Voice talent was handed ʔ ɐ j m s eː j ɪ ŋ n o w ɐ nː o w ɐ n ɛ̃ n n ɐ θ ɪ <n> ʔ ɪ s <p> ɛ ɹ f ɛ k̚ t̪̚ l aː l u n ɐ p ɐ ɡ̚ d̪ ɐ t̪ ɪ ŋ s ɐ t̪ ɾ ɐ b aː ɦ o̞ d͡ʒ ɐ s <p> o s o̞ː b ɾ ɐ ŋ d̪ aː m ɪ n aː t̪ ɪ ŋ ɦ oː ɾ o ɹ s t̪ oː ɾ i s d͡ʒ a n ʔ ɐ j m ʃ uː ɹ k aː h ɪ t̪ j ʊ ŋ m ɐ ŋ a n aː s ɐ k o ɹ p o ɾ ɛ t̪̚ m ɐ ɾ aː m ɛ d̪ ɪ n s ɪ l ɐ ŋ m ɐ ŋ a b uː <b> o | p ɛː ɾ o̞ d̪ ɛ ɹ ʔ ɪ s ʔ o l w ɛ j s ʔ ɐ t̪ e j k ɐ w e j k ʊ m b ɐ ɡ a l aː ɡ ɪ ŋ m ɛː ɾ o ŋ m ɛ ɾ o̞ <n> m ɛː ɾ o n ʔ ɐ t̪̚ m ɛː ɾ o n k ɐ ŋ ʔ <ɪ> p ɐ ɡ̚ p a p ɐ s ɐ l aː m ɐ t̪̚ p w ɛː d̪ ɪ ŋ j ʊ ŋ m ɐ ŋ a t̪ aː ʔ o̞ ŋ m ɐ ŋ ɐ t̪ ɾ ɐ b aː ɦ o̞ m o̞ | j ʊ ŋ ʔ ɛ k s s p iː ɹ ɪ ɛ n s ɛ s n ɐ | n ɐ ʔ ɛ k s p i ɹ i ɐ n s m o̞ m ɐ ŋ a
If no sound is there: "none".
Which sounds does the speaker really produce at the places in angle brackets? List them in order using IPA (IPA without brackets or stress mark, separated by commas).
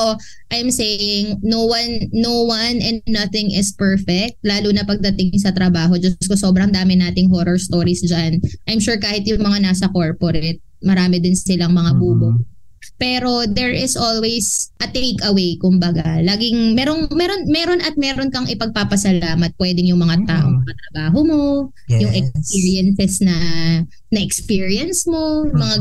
ŋ, p, k, b, n, ɪ